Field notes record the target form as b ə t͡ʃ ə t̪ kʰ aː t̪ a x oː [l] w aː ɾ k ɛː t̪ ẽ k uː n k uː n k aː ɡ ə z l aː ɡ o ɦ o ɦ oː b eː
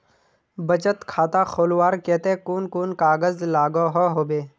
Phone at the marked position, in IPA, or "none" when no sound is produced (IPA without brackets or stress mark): l